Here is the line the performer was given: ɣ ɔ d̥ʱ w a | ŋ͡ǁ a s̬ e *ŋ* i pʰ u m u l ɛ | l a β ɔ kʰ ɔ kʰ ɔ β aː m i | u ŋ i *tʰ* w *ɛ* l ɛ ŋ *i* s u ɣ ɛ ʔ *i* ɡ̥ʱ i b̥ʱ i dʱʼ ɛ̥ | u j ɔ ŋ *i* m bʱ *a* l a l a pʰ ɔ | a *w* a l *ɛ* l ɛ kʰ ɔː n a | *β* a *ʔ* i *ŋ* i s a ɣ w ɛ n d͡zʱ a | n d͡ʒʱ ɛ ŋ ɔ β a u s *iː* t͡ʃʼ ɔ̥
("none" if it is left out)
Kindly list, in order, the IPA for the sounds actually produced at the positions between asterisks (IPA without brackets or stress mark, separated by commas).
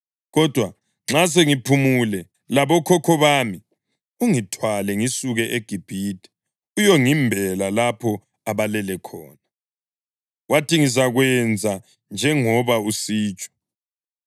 ŋ, tʰ, a, i, e, i, ɛ, β, ɛ, w, t, ŋ, iː